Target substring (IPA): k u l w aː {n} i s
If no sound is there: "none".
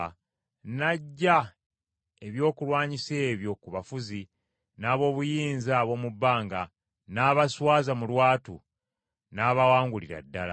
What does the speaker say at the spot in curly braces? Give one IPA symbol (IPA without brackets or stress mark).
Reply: ɲ